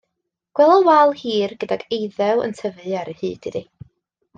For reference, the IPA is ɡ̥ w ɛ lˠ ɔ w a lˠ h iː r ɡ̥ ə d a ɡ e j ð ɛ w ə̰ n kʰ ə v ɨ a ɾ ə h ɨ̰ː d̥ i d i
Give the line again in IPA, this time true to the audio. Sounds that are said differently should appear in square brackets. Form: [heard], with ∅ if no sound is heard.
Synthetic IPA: ɡ̥ w ɛ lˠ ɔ w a lˠ h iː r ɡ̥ ə d a ɡ e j ð ɛ w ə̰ n [tʰ] ə v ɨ a ɾ ə h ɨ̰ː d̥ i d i